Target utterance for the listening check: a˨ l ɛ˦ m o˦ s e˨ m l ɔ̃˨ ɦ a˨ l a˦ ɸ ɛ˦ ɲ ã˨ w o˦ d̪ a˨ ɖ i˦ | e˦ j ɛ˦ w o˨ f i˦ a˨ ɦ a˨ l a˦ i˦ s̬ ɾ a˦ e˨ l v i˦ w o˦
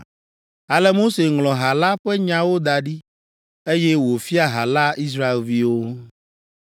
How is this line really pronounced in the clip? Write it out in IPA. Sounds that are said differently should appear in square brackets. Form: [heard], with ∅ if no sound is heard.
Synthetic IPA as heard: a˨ l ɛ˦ m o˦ s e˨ [ŋ] l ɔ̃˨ ɦ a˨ l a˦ ɸ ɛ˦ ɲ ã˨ w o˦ d̪ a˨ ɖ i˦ | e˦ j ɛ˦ w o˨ f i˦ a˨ ɦ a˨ l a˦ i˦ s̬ ɾ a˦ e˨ l v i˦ w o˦